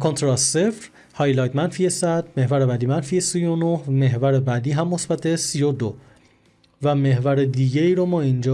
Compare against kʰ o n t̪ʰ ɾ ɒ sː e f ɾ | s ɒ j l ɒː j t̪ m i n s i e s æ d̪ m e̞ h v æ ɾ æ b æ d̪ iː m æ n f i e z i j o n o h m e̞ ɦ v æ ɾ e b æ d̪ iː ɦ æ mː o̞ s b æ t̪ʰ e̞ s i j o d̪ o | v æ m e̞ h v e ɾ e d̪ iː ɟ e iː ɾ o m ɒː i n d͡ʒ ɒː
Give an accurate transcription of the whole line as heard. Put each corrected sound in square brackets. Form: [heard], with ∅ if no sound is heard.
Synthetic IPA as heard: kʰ o n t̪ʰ ɾ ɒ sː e f ɾ | [h] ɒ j l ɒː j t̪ m [æ] n [f] i e s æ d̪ m e̞ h v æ ɾ [e] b æ d̪ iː m æ n f i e [s] i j o n o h m e̞ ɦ v æ ɾ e b æ d̪ iː ɦ æ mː o̞ s b æ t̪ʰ e̞ s i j o d̪ o | v æ m e̞ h v [æ] ɾ e d̪ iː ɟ e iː ɾ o m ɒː i n d͡ʒ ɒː